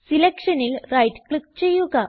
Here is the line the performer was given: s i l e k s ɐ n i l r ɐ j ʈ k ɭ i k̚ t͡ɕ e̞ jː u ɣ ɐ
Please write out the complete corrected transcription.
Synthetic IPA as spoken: s i l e k ʂ ɐ n i l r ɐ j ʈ k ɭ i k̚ t͡ɕ e̞ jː u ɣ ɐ